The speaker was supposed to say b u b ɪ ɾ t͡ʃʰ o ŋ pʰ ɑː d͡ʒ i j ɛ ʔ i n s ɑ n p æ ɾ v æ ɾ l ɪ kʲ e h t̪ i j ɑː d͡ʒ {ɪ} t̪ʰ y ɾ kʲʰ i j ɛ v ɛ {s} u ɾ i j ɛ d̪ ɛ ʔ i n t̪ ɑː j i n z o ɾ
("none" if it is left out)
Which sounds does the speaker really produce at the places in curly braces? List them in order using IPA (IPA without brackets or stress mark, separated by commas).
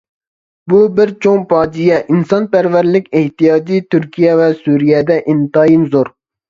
i, s